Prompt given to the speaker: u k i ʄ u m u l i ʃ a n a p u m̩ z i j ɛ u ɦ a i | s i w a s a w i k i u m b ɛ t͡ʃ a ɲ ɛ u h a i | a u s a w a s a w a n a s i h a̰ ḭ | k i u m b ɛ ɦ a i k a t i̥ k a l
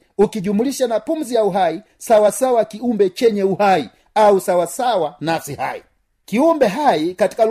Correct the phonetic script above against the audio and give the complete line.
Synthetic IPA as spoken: u k i ʄ u m u l i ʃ a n a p u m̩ z i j a u ɦ a i | s a w a s a w a k i u m b ɛ t͡ʃ ɛ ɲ ɛ u h a i | a u s a w a s a w a n a s i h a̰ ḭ | k i u m b ɛ ɦ a i k a t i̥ k a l